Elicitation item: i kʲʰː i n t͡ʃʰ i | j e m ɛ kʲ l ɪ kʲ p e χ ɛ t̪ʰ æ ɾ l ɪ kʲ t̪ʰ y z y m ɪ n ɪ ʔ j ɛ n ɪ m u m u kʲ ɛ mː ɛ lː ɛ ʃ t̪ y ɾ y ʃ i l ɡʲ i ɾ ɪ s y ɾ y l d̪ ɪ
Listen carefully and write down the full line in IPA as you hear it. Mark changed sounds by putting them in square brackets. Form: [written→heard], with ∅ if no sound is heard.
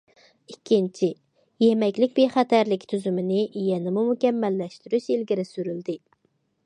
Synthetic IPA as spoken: i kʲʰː i n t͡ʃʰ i | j e m ɛ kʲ l ɪ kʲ [p→b] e χ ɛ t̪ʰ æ ɾ l ɪ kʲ t̪ʰ y z y m ɪ n ɪ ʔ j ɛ n ɪ m u m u kʲ ɛ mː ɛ lː ɛ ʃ t̪ y ɾ y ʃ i l ɡʲ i ɾ ɪ s y ɾ y l d̪ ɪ